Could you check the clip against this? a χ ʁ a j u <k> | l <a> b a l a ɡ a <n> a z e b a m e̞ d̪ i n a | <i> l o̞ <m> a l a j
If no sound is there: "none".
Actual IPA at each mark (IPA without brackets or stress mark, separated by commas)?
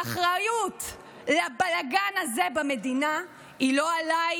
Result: t, a, n, i, none